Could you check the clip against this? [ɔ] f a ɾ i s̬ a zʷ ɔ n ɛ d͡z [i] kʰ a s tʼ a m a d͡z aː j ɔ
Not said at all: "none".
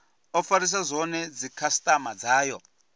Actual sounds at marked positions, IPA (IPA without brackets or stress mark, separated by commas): ɔ, i